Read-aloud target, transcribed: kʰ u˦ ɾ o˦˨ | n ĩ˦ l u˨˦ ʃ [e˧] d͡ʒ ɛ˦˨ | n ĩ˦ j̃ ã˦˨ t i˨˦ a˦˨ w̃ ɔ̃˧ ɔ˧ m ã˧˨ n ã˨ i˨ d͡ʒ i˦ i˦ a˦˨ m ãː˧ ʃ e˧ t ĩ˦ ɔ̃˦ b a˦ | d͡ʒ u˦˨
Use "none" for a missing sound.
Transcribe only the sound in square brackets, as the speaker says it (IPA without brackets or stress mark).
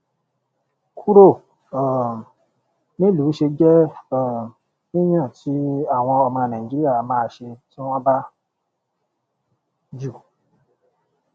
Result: e˧